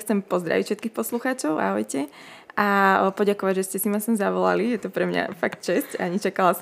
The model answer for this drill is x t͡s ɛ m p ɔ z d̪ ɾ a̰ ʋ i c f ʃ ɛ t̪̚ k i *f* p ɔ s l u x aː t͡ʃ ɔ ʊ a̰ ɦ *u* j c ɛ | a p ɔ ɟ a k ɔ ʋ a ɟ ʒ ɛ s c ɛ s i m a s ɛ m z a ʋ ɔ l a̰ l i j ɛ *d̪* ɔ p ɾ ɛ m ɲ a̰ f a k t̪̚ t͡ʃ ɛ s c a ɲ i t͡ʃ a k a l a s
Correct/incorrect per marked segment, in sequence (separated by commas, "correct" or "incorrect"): incorrect, incorrect, incorrect